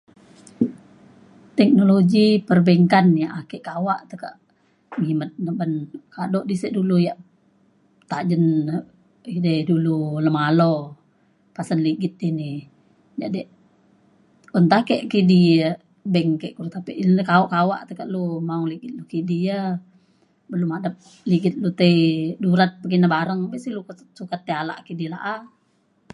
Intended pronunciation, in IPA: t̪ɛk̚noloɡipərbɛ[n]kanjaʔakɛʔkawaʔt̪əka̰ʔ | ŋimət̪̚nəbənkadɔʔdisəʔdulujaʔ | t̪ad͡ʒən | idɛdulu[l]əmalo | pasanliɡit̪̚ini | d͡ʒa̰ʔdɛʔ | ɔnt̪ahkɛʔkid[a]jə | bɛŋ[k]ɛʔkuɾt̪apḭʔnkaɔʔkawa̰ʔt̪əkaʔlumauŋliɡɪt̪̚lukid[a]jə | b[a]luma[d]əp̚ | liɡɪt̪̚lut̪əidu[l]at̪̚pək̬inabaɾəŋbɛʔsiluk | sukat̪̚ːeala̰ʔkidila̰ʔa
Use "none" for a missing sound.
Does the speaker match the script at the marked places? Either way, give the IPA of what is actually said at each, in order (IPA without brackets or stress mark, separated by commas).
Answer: ŋ, l, i, k, i, ə, d, ɾ